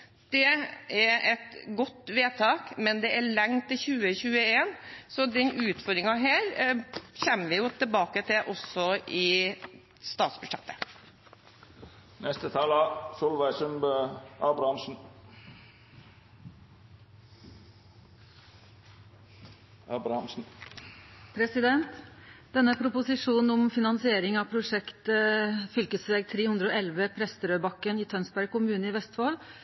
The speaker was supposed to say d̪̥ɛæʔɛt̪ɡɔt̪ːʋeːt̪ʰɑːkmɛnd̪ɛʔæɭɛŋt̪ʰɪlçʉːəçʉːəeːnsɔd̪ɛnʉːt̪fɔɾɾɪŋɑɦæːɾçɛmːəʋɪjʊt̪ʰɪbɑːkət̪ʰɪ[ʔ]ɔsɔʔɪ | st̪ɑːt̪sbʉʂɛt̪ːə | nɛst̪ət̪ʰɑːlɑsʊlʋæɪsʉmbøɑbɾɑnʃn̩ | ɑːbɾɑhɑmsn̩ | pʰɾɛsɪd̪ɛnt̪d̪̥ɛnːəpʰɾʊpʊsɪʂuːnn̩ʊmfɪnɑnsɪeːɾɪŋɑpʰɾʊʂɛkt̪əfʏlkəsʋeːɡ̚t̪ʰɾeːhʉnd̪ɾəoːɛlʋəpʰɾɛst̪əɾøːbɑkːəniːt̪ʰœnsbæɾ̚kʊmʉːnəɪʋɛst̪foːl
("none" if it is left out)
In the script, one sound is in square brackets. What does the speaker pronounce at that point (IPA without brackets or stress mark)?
ʔ